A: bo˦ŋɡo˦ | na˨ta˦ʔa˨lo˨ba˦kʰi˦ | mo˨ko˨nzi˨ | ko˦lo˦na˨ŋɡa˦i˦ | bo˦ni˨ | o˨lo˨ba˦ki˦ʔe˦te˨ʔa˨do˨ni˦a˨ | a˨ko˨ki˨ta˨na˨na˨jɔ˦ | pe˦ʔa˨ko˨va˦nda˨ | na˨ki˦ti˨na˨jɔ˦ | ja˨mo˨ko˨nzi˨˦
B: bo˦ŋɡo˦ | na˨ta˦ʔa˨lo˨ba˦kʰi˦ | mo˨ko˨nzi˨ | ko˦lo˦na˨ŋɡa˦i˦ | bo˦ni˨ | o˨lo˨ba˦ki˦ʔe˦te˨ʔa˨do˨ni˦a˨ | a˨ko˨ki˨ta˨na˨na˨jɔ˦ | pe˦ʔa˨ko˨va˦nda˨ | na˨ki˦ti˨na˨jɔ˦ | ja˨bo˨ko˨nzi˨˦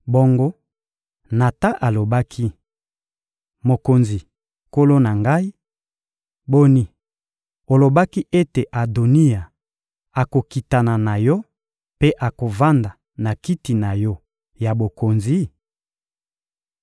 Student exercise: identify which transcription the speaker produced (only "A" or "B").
B